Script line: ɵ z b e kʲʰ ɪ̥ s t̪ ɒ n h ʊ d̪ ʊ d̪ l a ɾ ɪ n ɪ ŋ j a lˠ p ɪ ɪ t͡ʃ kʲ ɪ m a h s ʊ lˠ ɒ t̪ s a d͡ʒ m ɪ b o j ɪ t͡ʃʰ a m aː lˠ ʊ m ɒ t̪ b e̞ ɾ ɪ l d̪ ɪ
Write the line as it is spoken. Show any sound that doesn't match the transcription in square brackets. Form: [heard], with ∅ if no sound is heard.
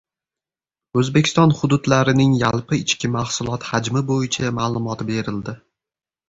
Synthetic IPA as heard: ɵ z b e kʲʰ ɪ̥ s t̪ ɒ n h ʊ d̪ ʊ d̪ l a ɾ ɪ n ɪ ŋ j a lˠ p ɪ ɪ t͡ʃ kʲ ɪ m a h s ʊ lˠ ɒ t̪ [h] a d͡ʒ m ɪ b o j ɪ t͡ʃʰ a m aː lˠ ʊ m ɒ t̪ b e̞ ɾ ɪ l d̪ ɪ